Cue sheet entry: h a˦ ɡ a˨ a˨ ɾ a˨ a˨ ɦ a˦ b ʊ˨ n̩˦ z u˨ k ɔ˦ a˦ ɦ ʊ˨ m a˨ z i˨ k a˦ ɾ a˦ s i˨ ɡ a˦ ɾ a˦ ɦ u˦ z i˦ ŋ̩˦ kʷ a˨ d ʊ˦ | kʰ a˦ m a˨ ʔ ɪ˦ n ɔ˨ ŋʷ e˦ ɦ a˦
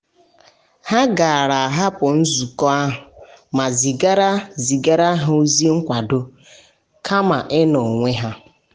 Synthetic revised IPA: h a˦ ɡ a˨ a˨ ɾ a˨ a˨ ɦ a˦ p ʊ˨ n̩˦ z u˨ k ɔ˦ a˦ ɦ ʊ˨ m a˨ z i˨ ɡ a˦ ɾ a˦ z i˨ ɡ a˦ ɾ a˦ ɦ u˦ z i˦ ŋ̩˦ kʷ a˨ d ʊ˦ | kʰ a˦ m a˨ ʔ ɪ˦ n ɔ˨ ŋʷ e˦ ɦ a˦